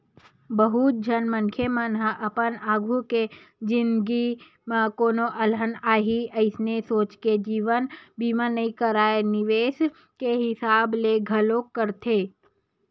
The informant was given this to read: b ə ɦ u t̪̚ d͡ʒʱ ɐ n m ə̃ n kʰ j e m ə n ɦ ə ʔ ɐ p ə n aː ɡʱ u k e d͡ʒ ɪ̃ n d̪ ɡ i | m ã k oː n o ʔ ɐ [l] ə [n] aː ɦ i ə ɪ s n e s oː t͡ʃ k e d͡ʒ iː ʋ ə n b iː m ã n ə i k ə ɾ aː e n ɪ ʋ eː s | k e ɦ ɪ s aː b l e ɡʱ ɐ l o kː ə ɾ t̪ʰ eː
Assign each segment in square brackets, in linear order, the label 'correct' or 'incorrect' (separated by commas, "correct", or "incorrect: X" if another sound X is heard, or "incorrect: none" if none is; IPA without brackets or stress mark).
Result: correct, correct